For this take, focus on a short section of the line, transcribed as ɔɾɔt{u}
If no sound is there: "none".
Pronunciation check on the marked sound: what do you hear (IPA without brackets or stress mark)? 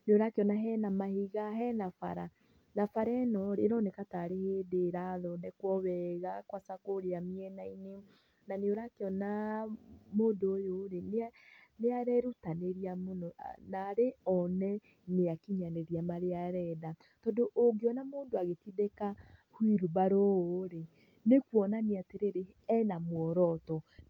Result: ɔ